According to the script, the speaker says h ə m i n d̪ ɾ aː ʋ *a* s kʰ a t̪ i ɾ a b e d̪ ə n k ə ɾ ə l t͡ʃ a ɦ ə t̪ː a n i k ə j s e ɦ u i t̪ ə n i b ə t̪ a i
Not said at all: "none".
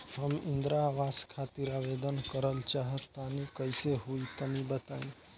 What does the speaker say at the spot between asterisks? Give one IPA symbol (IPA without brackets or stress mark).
a